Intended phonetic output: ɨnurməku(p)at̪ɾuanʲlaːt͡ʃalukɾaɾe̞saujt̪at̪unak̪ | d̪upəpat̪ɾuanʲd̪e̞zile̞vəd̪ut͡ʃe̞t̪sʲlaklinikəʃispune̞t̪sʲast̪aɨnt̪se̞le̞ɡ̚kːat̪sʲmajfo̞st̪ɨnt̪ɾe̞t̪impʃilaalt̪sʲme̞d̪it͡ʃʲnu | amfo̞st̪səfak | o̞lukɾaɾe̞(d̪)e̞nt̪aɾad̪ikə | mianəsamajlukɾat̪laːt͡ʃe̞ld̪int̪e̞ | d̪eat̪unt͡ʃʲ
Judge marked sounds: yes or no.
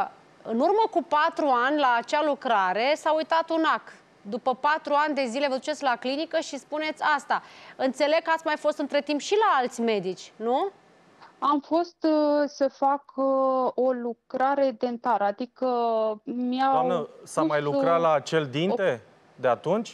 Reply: yes, yes

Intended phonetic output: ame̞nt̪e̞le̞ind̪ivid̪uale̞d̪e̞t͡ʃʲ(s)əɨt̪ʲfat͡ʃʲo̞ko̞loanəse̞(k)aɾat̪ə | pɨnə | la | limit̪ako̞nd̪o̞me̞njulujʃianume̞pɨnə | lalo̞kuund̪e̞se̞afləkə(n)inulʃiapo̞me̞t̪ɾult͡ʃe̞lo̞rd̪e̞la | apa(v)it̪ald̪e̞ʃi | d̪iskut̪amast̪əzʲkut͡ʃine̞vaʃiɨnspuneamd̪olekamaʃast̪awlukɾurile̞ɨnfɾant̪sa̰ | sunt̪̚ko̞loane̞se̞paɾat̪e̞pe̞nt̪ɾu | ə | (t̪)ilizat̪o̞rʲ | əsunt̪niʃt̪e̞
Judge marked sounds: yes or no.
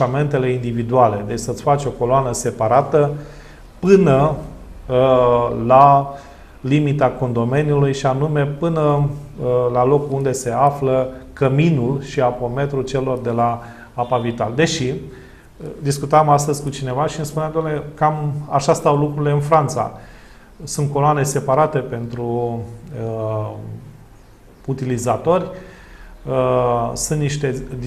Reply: yes, no, no, yes, yes

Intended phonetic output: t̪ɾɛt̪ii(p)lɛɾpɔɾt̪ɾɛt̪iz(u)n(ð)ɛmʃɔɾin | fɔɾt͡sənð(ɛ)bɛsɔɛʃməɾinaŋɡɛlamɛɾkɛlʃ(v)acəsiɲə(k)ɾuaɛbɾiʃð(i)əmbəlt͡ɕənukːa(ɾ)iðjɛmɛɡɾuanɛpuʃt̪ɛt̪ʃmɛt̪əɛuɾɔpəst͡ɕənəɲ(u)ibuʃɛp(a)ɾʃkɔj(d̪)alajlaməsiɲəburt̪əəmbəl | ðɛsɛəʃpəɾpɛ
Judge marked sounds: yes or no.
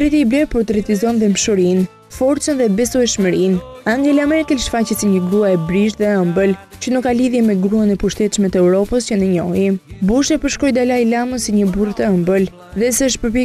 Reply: no, no, yes, yes, no, no, no, no, no, no, yes

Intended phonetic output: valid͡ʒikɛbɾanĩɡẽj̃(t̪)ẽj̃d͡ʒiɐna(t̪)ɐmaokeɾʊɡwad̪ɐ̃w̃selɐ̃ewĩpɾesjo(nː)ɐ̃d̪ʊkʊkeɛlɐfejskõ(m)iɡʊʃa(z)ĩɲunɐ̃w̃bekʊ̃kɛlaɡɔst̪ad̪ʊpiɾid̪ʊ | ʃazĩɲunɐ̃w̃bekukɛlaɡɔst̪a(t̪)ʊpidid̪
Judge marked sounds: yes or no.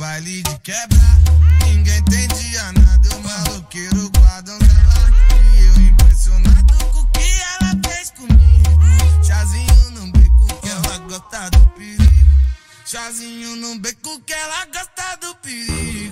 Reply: yes, no, no, yes, yes, no

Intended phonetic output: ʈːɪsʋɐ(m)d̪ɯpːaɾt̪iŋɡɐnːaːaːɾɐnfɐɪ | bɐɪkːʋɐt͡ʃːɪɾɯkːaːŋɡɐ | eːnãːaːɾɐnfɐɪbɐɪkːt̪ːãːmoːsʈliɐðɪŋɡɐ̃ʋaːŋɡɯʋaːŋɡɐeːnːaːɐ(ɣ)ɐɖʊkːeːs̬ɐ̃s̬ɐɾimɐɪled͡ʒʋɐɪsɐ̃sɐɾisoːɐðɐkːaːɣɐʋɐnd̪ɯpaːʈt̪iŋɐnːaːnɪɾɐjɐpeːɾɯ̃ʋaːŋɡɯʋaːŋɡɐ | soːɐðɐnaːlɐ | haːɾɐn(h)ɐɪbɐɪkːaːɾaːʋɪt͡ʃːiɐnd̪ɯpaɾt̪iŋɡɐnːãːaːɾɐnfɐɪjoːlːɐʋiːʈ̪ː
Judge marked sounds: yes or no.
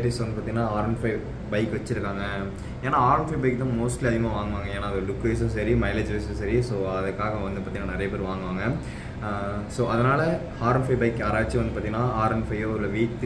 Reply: no, no, no

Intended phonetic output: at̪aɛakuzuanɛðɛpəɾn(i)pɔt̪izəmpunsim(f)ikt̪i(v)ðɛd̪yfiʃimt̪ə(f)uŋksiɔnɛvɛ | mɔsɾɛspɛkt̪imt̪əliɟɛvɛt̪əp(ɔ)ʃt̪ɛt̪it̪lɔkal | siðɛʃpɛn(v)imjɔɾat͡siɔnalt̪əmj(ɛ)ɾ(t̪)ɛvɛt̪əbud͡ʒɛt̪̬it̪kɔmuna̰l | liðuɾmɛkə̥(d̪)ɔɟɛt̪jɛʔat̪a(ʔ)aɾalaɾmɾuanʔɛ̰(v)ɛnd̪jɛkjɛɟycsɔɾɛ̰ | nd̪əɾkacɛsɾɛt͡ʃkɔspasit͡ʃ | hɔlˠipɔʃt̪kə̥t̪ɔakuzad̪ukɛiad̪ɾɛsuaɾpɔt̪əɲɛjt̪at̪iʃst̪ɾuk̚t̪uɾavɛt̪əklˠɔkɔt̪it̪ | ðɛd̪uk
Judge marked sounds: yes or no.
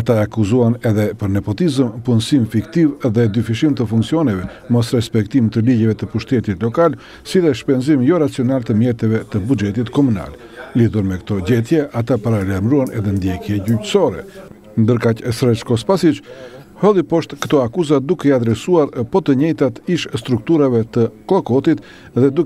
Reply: no, yes, yes, yes, no, no, yes, yes, no, no, no

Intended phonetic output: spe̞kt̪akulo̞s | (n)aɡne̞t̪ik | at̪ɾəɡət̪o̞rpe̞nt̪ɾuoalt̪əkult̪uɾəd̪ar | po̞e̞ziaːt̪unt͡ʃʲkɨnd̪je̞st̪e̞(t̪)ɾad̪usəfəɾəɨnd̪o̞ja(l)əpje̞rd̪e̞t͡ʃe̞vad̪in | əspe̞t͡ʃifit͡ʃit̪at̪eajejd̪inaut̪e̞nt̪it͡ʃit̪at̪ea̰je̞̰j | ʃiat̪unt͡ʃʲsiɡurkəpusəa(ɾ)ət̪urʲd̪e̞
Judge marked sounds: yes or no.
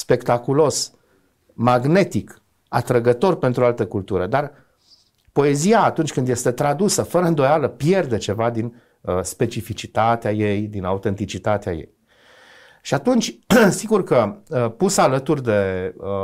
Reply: no, yes, yes, no

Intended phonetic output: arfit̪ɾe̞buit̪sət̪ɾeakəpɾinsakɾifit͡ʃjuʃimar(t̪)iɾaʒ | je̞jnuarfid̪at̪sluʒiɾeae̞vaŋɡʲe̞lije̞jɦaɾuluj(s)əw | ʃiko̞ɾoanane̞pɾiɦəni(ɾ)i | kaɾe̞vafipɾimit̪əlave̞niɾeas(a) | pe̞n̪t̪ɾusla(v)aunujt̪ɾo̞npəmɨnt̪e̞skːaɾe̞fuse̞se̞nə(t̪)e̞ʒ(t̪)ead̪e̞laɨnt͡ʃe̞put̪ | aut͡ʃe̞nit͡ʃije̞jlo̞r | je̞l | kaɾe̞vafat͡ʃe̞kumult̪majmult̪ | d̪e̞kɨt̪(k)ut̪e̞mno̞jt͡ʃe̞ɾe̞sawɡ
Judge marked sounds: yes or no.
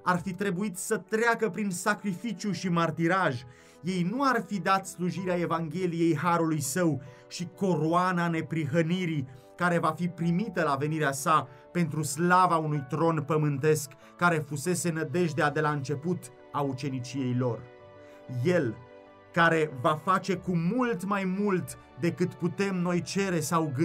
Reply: yes, yes, yes, yes, yes, no, no, no

